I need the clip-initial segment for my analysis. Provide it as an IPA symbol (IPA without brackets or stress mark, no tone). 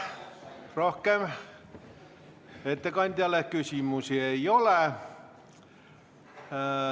r